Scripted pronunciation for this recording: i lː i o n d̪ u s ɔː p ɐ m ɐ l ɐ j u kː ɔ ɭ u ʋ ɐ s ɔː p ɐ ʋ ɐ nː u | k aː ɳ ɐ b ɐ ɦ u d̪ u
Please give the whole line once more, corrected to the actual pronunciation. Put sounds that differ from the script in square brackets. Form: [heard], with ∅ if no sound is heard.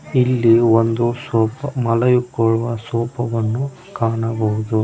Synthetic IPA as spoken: i lː i o n d̪ u s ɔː p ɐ m ɐ l ɐ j u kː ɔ ɭ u ʋ ɐ s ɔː p ɐ ʋ ɐ nː u | k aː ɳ ɐ b ɐ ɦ u d̪ u